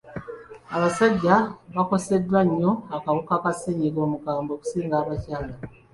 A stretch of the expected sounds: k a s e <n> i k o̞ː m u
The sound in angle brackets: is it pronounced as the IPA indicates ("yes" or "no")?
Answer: no